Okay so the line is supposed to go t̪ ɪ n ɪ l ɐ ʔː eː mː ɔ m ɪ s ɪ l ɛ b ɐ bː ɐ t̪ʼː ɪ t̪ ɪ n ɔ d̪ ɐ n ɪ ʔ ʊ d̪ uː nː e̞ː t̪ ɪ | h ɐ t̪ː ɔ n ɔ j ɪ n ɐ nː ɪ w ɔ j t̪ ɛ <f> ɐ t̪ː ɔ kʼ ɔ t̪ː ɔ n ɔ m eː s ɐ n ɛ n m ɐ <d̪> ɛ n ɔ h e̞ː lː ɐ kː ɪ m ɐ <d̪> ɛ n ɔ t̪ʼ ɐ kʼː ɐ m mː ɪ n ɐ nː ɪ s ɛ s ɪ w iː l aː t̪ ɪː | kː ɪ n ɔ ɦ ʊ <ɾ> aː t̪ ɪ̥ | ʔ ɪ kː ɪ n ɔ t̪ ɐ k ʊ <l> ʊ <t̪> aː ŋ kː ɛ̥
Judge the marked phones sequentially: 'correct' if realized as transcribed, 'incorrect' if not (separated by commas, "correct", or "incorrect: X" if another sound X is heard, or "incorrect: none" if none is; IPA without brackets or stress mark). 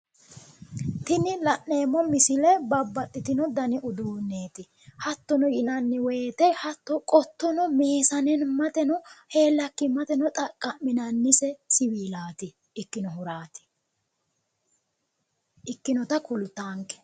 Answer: incorrect: h, incorrect: t̪, incorrect: t̪, correct, correct, correct